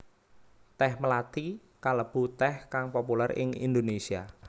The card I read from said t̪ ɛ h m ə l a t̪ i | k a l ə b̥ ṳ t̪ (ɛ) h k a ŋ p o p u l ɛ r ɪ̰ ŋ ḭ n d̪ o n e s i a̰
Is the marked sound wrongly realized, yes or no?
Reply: no